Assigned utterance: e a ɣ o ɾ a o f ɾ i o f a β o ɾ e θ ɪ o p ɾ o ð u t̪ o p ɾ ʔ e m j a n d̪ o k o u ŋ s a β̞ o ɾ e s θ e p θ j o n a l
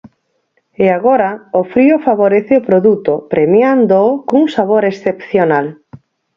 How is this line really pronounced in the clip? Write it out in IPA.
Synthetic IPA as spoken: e a ɣ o ɾ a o f ɾ i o f a β o ɾ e θ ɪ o p ɾ o ð u t̪ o p ɾ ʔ e m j a n d̪ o k o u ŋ s a β̞ o ɾ e s θ e p θ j o n a l